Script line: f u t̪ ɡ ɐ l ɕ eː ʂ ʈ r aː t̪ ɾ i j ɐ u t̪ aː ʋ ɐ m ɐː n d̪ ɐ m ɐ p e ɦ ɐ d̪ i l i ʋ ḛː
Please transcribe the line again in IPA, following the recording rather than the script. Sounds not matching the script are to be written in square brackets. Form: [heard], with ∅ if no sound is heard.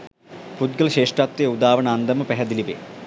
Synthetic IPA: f u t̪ ɡ ɐ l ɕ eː ʂ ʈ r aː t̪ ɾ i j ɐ u [d̪] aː ʋ ɐ [ɳ] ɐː n d̪ ɐ m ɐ p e ɦ ɐ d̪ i l i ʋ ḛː

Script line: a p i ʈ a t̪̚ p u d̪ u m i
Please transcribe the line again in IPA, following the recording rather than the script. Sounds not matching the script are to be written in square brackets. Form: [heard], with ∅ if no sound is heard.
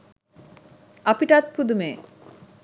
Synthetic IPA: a p i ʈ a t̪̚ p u d̪ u m [e]

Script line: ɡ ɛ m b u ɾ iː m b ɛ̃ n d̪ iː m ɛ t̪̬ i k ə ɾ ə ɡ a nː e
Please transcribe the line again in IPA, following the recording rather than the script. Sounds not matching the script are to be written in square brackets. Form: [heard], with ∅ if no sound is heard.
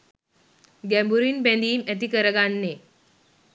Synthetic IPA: ɡ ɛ m b u ɾ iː [n] b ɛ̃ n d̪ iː m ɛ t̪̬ i k ə ɾ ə ɡ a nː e

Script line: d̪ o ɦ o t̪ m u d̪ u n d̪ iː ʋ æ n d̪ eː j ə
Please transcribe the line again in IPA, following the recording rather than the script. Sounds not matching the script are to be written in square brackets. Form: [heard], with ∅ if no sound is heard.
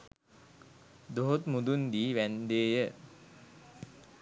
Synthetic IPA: d̪ o ɦ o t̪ m u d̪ u n d̪ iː ʋ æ n d̪ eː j ə

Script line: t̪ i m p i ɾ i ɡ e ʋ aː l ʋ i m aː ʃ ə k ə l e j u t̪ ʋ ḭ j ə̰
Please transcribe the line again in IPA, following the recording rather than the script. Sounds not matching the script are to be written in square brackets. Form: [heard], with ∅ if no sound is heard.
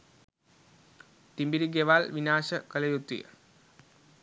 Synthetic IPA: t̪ i m [b] i ɾ i ɡ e ʋ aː l ʋ i [n] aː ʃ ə k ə l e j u t̪ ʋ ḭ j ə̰

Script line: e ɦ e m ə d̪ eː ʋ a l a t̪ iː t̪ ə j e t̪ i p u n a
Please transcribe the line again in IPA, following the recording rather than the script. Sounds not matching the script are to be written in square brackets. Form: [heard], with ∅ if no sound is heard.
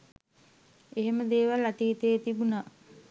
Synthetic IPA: e ɦ e m ə d̪ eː ʋ a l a t̪ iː t̪ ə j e t̪ i [b] u n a

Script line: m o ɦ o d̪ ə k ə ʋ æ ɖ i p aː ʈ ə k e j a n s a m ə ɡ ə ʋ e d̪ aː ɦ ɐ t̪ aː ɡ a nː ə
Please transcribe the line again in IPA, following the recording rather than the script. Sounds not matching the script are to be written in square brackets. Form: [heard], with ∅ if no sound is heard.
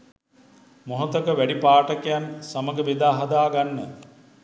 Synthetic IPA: m o ɦ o [t̪] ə k ə ʋ æ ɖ i p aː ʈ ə k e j a n s a m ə ɡ ə ʋ e d̪ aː ɦ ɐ [d̪] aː ɡ a nː ə

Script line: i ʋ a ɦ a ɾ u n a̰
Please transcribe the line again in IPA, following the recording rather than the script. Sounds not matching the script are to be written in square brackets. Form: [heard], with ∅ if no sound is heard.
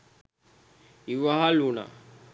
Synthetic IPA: i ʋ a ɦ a [l] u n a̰

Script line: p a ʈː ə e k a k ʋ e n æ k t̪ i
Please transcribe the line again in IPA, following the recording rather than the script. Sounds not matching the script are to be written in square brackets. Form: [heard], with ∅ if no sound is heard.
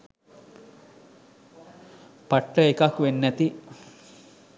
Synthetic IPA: p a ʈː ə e k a k ʋ e [nː] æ [∅] t̪ i

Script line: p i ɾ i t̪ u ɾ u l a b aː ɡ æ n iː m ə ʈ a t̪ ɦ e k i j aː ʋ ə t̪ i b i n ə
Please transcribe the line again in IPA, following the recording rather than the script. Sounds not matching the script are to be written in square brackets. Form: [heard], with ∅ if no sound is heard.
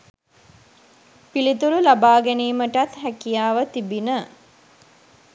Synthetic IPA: p i [l] i t̪ u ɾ u l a b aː ɡ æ n iː m ə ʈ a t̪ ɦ [æ] k i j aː ʋ ə t̪ i b i n ə

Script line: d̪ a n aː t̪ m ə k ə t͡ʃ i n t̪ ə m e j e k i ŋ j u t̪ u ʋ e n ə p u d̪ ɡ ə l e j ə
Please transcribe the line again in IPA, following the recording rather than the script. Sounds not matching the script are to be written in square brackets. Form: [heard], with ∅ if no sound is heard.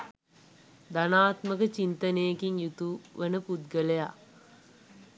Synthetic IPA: d̪ a n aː t̪ m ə k ə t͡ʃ i n t̪ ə [n] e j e k i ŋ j u t̪ u ʋ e n ə p u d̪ ɡ ə l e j [a]

